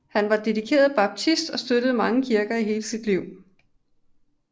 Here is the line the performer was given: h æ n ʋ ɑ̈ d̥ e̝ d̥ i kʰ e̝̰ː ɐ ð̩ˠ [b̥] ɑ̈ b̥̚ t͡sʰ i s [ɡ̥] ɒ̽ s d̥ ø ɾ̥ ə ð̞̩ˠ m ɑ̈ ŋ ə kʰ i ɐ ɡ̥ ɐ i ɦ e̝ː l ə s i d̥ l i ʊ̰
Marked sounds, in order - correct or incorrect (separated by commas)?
correct, incorrect